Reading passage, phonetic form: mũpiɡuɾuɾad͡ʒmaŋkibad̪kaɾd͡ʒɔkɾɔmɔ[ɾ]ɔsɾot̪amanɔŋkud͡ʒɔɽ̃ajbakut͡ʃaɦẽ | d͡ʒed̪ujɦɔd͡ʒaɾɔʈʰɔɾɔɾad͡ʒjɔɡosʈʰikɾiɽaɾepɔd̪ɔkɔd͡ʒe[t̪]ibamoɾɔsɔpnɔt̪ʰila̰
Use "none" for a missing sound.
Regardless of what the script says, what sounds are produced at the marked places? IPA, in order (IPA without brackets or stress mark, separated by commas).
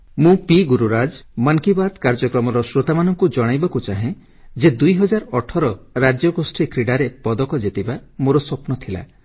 ɾ, t̪